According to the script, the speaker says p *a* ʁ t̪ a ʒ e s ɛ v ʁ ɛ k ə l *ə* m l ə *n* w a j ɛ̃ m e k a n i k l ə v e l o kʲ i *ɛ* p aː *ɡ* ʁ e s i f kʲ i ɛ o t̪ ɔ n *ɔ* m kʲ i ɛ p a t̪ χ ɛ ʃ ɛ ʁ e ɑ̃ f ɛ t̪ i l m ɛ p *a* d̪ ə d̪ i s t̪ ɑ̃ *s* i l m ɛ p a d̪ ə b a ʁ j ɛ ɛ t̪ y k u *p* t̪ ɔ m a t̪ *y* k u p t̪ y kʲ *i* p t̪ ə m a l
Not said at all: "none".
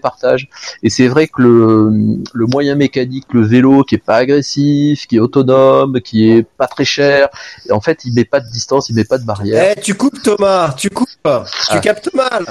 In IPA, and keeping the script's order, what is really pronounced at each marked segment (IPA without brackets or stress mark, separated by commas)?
a, ə, m, ɛ, ɡ, ɔ, a, s, p, y, a